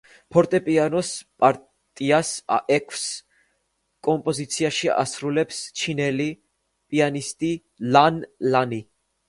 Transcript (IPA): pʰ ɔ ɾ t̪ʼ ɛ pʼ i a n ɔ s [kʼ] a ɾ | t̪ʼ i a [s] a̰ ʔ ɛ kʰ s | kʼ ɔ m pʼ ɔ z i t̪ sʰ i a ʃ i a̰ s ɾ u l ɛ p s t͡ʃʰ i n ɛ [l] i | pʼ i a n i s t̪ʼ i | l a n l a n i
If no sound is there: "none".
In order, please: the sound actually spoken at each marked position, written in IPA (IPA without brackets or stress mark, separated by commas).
pʼ, s, l